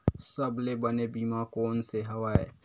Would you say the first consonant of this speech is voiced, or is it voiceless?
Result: voiceless